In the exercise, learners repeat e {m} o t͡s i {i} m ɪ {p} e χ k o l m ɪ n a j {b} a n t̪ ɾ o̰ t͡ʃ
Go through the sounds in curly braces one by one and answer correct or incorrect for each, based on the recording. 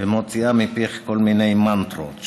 correct, incorrect: a, correct, incorrect: m

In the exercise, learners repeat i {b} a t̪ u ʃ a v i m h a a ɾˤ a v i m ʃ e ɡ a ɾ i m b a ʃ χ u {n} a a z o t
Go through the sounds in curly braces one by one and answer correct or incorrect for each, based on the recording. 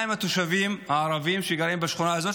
incorrect: m, correct

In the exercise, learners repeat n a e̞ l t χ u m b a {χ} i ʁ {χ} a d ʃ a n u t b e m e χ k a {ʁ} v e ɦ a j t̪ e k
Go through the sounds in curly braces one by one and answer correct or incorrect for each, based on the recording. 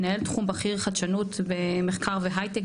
correct, correct, correct

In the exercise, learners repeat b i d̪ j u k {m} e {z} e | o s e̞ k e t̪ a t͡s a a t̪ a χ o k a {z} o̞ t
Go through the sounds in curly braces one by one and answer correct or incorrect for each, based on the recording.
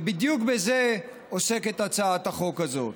incorrect: b, correct, correct

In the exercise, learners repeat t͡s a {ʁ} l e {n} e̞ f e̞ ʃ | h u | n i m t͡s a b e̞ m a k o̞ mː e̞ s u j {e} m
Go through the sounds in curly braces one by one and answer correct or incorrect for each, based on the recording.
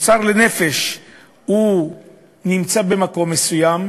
correct, correct, incorrect: a

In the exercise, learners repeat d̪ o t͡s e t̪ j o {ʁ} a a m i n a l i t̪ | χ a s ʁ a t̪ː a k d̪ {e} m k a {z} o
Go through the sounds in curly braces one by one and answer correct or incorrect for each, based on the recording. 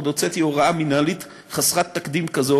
correct, incorrect: i, correct

